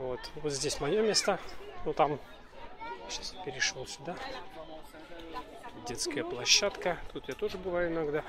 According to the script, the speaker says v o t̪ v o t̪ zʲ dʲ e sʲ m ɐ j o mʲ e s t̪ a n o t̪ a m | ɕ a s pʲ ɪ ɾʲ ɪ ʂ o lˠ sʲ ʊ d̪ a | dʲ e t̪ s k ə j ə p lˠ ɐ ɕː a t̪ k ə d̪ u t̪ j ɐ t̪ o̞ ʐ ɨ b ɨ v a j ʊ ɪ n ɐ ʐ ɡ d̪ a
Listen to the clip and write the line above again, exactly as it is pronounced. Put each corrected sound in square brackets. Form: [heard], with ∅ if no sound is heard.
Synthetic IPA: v o t̪ v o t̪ zʲ dʲ e sʲ m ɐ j o mʲ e s t̪ [ə] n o t̪ a m | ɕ a s pʲ ɪ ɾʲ ɪ ʂ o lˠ sʲ ʊ d̪ a | dʲ e t̪ s k ə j ə p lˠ ɐ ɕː a t̪ k ə [t̪] u t̪ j [a] t̪ o̞ ʐ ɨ b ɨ v a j ʊ ɪ n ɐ [∅] ɡ d̪ a